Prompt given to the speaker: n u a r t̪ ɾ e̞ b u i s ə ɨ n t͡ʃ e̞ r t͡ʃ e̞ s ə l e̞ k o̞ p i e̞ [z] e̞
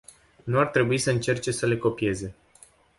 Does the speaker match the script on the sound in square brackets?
yes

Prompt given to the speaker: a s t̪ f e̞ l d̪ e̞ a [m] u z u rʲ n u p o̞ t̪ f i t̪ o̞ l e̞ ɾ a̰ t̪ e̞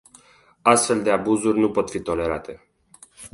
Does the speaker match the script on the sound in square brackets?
no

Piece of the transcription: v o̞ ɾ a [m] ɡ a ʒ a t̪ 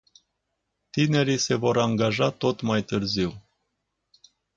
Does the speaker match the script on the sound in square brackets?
no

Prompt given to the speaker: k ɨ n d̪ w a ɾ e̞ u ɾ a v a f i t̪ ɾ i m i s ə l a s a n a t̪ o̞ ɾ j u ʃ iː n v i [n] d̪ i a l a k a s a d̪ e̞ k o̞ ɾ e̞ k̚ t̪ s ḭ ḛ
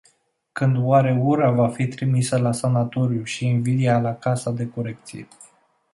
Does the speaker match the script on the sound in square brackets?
no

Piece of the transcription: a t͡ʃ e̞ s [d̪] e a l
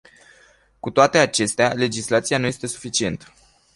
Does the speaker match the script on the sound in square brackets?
no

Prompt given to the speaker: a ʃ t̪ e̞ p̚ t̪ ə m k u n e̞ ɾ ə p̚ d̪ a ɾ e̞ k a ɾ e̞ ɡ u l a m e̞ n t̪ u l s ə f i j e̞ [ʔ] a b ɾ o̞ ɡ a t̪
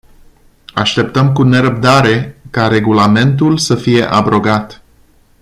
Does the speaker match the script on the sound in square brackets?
yes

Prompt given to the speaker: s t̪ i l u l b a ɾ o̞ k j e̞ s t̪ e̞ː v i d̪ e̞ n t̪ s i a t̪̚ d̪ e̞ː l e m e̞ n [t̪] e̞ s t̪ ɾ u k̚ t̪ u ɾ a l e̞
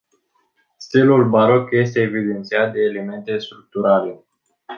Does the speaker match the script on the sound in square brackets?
yes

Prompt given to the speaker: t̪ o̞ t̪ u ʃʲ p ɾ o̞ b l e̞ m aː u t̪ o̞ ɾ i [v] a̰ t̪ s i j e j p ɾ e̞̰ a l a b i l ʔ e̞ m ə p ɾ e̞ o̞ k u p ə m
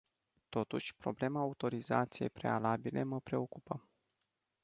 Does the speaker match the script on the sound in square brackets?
no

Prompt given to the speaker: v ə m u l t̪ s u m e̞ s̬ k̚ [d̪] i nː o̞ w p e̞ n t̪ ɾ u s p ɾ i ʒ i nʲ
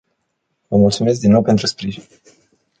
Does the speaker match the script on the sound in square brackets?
yes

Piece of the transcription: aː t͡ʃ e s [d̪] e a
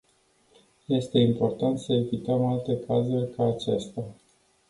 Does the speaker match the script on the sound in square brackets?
no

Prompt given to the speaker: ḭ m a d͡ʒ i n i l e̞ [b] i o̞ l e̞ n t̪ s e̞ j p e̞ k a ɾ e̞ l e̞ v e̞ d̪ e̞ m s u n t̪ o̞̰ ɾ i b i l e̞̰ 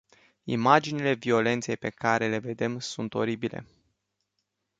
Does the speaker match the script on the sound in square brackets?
no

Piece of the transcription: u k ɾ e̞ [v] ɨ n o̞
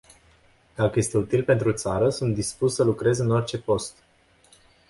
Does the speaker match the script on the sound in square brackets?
no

